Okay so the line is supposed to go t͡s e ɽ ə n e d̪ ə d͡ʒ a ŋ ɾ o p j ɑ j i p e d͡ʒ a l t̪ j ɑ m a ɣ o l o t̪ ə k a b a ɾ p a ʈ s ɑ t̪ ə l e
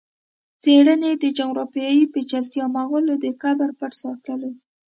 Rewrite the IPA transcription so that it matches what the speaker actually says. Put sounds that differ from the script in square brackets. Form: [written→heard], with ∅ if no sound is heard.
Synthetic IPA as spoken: t͡s e ɽ ə n e d̪ ə d͡ʒ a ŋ ɾ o p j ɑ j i p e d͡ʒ a l t̪ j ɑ m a ɣ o l o [t̪→d̪] ə k a b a ɾ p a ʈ s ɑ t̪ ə l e